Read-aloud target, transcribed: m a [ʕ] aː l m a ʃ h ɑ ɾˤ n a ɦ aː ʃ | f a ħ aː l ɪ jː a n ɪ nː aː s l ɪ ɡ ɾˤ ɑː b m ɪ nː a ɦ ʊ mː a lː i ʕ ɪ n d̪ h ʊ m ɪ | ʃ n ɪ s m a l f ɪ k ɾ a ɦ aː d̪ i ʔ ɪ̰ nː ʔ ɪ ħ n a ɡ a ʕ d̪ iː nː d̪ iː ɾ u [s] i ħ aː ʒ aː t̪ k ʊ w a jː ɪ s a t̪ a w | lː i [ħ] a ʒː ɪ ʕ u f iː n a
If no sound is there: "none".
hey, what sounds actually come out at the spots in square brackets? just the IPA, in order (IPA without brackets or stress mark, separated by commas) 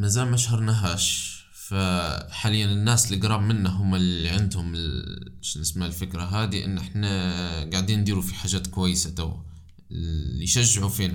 z, f, ʃ